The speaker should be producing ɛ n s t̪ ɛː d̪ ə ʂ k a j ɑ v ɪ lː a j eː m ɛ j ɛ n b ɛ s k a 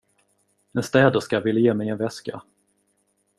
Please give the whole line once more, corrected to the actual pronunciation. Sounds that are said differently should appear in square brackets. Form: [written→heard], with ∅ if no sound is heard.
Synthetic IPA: ɛ n s t̪ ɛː d̪ ə ʂ k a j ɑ v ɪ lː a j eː m ɛ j ɛ n [b→v] ɛ s k a